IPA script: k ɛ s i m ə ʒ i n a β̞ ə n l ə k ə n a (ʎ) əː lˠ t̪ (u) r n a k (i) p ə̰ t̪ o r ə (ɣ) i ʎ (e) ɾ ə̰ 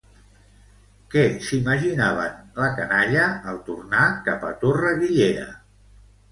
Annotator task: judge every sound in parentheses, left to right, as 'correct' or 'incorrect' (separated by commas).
correct, correct, incorrect, correct, correct